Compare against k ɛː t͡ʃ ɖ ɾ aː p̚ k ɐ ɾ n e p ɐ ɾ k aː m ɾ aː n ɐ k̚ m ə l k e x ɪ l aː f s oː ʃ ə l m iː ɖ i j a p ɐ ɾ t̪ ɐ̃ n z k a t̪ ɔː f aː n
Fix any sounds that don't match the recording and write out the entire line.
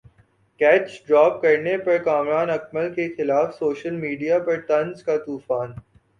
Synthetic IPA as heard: k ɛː t͡ʃ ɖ ɾ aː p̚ k ɐ ɾ n e p ɐ ɾ k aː m ɾ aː n ɐ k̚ m ə l k e x ɪ l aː f s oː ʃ ə l m iː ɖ i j a p ɐ ɾ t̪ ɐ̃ n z k a t̪ uː f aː n